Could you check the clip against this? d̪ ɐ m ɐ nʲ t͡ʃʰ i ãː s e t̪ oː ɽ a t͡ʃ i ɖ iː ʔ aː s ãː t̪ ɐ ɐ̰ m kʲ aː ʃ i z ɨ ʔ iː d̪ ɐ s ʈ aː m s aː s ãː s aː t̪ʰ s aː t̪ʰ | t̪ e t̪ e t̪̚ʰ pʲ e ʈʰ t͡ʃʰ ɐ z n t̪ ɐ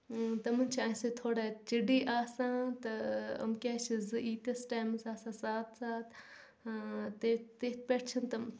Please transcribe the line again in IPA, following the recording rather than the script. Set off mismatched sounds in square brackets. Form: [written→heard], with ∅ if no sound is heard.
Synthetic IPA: [d̪→t̪] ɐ m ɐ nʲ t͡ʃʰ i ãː s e [t̪→t̪ʰ] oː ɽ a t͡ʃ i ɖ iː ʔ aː s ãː t̪ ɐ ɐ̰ m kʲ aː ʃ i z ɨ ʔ iː [d̪→t̪] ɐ s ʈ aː m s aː s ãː s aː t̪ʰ s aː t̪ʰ | t̪ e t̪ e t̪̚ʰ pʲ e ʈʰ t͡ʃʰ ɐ [z→∅] n t̪ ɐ